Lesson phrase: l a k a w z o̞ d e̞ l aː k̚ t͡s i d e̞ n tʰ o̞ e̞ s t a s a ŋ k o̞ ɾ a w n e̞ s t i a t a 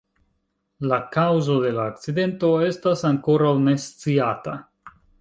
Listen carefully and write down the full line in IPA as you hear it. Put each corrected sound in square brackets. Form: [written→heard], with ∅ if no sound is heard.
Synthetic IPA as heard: l a k a w z o̞ d e̞ l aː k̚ t͡s i d e̞ n [tʰ→t] o̞ e̞ s t a s a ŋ k o̞ ɾ a w n e̞ s [t→t͡s] i a t a